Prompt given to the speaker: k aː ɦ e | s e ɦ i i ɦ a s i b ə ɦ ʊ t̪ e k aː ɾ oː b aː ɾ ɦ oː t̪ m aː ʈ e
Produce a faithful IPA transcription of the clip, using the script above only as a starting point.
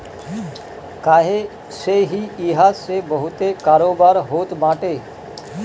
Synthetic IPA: k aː ɦ e | s e ɦ i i ɦ a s e b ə ɦ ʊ t̪ e k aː ɾ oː b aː ɾ ɦ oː t̪ m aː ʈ e